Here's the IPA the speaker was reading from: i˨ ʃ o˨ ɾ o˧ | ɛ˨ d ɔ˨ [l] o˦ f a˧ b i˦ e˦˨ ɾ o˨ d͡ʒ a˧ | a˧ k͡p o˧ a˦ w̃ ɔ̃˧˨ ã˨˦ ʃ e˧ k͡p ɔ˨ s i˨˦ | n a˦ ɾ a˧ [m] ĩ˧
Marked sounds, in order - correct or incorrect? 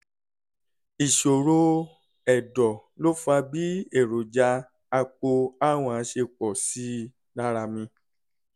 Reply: correct, correct

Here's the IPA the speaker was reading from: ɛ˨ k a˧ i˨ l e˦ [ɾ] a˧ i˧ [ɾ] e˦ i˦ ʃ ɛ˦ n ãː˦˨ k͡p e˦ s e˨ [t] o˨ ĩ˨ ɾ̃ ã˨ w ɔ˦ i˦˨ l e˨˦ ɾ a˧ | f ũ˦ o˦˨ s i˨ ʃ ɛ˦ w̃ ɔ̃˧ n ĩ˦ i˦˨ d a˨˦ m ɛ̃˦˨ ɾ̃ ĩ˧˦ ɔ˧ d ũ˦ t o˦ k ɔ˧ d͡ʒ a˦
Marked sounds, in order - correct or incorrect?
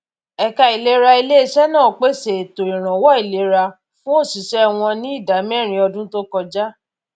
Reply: correct, incorrect: l, correct

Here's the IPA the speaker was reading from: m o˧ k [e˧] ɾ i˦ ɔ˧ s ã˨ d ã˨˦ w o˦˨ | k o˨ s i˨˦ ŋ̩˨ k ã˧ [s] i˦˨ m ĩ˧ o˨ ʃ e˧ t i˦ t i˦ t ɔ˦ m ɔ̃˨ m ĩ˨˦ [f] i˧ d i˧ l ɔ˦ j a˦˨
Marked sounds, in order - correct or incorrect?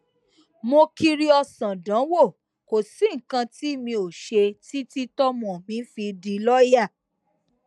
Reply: incorrect: i˧, incorrect: t, correct

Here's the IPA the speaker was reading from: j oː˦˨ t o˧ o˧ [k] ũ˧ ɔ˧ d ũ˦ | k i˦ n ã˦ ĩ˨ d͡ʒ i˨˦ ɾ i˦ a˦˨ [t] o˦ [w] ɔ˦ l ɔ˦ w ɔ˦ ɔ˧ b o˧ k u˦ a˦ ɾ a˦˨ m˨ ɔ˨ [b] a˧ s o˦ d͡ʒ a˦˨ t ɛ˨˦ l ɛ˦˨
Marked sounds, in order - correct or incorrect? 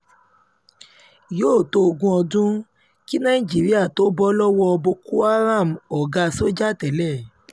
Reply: incorrect: ɡ, correct, incorrect: b, incorrect: ɡ

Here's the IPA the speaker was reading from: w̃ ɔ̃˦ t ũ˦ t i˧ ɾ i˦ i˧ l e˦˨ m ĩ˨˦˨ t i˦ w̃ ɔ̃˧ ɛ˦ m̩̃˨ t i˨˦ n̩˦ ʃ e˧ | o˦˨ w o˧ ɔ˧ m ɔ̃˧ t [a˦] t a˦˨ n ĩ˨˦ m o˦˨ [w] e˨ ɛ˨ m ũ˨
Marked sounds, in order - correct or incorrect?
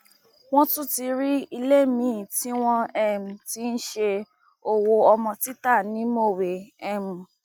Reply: incorrect: i˦, correct

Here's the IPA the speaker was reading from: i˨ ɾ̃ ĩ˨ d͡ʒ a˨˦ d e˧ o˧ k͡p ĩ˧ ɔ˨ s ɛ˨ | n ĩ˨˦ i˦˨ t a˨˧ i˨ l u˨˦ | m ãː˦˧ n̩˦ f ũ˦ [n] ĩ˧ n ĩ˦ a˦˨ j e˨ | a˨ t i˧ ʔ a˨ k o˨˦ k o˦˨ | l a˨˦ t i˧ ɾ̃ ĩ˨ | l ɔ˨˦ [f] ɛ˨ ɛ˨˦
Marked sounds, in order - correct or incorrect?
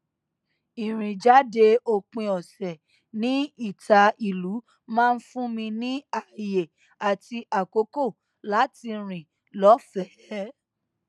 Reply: incorrect: m, correct

